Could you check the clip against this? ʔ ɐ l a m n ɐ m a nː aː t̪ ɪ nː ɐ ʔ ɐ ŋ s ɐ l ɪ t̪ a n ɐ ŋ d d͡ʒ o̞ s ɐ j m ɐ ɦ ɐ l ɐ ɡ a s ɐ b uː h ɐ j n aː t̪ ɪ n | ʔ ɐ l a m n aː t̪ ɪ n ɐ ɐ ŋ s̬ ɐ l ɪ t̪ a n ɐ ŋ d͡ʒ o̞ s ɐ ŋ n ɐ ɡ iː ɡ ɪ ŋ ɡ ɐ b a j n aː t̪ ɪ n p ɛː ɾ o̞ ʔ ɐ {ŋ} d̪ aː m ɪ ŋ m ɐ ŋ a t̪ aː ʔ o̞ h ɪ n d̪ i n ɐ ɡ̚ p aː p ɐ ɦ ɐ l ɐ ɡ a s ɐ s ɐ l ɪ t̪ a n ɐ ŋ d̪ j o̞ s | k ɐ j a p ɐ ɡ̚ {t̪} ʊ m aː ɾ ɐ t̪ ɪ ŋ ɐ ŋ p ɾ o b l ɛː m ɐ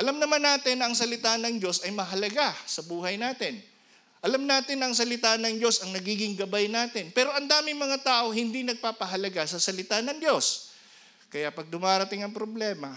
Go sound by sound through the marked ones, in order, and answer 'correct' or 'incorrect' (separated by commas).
incorrect, incorrect